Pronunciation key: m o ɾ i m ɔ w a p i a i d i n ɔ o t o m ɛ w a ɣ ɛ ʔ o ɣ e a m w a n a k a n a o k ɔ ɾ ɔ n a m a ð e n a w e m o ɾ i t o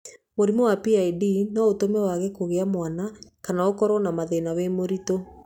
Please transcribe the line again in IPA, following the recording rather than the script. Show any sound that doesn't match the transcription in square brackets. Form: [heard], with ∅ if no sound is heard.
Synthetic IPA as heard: m o ɾ i m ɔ w a p i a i d i n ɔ o t o m ɛ w a ɣ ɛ [k] o ɣ e a m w a n a k a n a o k ɔ ɾ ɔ n a m a ð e n a w e m o ɾ i t o